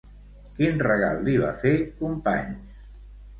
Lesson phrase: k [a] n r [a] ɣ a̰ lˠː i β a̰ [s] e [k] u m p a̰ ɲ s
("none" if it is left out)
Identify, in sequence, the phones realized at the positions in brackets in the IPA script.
i, ə, f, k

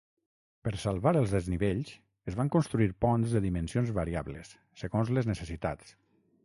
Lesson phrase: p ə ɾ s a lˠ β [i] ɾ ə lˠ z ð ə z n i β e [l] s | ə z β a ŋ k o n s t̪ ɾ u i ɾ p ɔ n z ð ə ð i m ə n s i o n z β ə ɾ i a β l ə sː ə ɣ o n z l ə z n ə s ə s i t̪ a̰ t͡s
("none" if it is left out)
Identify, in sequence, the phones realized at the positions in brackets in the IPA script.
a, ʎ

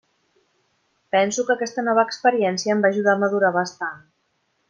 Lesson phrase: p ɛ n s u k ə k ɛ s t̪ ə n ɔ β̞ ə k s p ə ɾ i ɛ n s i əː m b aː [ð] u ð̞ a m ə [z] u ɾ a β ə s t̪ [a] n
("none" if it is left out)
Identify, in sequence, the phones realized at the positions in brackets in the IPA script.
ʒ, ð, a

